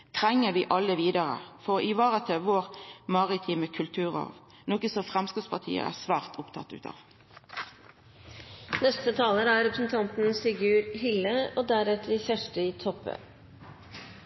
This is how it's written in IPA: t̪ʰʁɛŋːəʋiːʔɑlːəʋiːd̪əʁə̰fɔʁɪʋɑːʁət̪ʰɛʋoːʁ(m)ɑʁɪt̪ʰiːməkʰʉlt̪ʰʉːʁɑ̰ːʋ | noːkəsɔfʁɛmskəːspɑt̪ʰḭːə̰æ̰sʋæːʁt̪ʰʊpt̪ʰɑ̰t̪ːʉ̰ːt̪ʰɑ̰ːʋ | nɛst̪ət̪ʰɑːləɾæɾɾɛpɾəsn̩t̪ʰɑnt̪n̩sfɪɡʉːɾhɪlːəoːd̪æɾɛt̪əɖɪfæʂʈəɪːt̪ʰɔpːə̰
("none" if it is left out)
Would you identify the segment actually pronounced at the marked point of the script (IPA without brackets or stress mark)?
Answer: m